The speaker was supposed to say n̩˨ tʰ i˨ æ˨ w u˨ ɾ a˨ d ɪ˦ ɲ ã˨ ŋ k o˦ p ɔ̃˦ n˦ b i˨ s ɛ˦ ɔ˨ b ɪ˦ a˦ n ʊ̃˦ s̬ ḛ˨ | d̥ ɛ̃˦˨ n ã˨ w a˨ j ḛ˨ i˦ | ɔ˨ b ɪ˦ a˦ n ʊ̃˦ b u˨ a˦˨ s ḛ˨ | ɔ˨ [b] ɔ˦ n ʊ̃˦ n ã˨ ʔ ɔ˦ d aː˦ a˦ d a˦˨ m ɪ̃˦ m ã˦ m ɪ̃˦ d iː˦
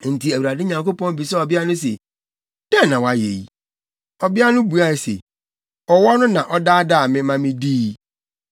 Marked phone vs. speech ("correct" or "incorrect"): incorrect